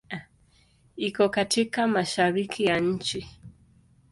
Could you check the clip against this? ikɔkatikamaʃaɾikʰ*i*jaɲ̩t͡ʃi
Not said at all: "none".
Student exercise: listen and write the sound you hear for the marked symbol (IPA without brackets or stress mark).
i